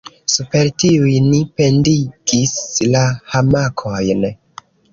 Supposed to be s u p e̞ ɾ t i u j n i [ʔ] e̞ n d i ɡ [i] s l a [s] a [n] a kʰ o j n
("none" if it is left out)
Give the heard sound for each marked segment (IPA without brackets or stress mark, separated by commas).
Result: p, i, h, m